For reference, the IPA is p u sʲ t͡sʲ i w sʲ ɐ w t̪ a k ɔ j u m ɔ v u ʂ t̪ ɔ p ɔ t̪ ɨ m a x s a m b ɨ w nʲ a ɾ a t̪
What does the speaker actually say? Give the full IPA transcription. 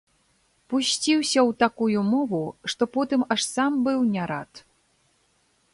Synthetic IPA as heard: p u sʲ t͡sʲ i w sʲ ɐ w t̪ a k u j u m ɔ v u ʂ t̪ ɔ p ɔ t̪ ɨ m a ʂ s a m b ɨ w nʲ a ɾ a t̪